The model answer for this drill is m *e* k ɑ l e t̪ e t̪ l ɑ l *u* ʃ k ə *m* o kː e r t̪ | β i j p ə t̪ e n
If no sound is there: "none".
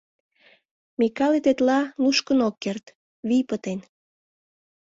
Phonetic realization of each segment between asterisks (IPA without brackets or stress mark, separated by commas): i, u, n